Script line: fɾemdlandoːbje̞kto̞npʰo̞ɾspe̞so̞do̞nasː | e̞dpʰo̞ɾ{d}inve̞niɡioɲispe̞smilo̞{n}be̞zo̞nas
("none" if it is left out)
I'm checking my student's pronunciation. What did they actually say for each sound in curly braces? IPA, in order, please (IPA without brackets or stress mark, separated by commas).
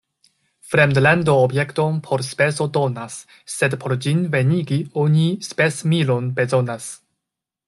d͡ʒ, n